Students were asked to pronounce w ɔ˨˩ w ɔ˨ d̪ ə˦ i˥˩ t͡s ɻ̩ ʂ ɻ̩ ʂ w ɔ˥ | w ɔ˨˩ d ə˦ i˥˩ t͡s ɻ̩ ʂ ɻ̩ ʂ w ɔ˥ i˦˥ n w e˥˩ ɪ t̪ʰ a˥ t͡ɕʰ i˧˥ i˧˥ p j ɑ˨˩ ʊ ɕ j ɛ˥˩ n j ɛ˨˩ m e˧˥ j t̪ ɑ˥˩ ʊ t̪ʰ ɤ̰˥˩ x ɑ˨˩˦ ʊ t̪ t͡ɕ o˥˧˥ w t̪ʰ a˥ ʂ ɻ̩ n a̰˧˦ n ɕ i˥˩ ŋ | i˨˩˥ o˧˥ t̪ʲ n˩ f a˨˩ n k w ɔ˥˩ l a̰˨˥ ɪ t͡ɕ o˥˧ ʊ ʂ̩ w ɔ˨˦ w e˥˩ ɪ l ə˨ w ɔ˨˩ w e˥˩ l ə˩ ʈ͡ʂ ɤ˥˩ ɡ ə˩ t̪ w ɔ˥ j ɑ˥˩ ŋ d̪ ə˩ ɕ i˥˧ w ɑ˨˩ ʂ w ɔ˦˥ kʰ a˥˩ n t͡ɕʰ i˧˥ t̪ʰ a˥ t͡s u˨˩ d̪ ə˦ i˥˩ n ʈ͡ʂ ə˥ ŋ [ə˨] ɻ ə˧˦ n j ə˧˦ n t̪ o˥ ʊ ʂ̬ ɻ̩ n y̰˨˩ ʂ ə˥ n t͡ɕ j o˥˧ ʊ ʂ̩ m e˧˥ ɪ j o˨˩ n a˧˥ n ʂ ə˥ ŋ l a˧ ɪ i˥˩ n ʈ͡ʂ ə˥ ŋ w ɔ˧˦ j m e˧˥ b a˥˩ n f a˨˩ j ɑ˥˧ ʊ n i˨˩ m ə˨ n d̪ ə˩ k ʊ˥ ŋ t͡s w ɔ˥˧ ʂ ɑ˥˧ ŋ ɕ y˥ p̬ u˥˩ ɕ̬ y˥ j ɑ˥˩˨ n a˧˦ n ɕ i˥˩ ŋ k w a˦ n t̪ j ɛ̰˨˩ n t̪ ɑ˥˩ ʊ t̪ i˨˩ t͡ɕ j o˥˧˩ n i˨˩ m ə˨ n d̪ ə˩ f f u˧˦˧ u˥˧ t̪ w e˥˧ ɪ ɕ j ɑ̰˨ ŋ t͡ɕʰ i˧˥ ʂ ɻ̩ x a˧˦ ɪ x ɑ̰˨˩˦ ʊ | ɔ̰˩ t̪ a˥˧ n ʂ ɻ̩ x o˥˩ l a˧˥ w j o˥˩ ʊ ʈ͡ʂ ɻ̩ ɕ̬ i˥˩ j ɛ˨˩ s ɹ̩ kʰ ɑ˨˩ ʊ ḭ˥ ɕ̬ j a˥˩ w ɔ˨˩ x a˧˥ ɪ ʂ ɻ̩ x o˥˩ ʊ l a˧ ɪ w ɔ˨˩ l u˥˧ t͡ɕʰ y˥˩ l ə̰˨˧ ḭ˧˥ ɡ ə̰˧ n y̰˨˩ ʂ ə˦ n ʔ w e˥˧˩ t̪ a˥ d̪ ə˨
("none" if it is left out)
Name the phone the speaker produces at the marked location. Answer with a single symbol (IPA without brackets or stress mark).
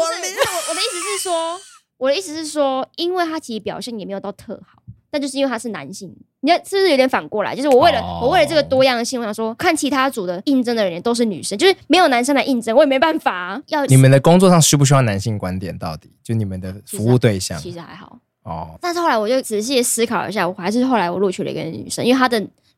ə˨